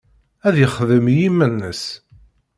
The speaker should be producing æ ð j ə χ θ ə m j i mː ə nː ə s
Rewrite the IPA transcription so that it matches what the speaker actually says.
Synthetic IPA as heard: æ ð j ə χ ð ə m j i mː ə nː ə s